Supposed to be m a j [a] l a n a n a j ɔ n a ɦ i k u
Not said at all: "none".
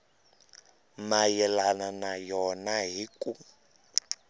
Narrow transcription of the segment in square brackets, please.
ɛ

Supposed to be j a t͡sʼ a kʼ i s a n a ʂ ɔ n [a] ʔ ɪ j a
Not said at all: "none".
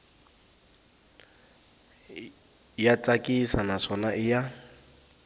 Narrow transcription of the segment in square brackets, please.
a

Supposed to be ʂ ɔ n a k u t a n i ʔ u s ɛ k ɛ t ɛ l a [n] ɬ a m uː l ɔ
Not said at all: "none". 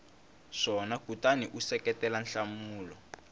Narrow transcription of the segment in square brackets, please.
n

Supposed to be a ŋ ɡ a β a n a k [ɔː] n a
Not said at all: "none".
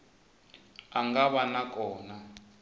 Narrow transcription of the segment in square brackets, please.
ɔː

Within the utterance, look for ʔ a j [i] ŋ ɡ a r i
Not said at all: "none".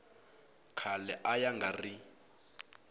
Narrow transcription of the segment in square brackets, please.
a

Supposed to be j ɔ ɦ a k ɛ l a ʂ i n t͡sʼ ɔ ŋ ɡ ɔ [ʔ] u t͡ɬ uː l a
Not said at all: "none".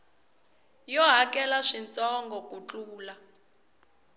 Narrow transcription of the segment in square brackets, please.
k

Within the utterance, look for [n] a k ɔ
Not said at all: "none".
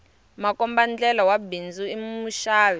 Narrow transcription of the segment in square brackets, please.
m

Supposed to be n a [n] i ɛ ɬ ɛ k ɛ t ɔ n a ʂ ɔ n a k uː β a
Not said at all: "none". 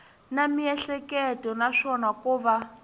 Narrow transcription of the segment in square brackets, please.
m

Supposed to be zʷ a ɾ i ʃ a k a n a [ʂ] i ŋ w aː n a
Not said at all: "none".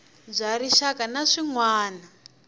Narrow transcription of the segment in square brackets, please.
ʂ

